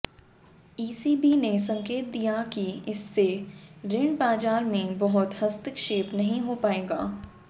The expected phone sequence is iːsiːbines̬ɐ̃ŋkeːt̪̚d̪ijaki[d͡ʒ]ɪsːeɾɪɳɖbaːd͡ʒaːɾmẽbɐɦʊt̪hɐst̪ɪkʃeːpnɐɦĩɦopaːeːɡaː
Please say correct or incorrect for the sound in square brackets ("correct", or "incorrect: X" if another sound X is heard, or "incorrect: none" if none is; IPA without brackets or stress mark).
incorrect: none